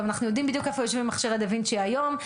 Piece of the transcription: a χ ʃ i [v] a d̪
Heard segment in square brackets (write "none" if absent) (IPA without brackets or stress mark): ʁ